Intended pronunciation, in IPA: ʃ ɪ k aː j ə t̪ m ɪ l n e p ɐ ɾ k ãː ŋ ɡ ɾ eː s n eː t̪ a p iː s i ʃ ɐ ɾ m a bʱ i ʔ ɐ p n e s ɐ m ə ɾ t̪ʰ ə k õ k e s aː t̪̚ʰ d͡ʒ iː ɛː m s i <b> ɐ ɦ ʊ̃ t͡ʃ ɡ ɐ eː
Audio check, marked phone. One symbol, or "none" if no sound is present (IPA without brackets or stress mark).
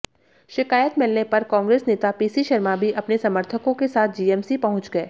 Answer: p